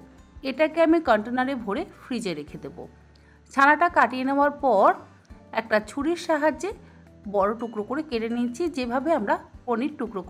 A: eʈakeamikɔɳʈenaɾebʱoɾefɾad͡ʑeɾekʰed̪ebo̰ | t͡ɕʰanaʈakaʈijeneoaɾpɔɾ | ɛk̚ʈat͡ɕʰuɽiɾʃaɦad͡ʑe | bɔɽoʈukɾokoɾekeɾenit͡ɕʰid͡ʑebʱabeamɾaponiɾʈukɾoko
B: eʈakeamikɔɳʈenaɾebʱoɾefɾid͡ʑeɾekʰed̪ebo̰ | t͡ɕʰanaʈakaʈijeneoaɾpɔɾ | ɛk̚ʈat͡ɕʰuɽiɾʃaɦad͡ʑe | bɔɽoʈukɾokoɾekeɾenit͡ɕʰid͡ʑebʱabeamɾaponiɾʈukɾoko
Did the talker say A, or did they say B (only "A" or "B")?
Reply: B